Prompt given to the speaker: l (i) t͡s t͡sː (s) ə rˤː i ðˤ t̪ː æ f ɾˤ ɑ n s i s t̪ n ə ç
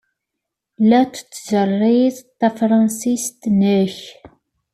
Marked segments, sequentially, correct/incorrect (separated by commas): incorrect, incorrect